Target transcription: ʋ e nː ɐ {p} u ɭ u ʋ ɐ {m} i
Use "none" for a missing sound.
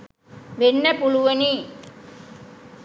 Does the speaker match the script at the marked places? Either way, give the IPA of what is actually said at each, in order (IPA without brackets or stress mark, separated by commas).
p, n